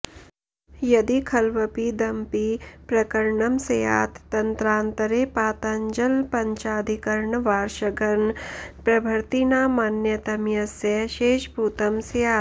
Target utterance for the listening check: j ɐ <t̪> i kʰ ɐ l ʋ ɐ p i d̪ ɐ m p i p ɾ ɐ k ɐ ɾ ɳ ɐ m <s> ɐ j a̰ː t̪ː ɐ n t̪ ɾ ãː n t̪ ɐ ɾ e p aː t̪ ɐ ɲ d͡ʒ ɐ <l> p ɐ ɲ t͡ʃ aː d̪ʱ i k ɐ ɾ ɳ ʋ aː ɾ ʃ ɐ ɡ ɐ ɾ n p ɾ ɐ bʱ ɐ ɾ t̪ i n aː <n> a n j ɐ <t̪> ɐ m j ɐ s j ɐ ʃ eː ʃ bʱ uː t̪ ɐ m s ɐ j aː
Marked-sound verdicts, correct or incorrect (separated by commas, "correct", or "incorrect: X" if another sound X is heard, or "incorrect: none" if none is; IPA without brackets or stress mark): incorrect: d̪, correct, correct, incorrect: m, correct